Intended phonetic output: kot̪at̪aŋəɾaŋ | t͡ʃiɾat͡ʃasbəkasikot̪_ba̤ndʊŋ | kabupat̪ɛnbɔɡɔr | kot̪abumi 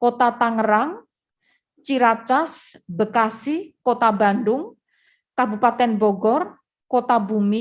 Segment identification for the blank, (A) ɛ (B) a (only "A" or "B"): B